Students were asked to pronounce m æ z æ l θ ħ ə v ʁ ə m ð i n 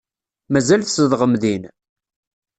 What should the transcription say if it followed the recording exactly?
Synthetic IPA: m æ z æ l θ s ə ð ʁ ə m ð i n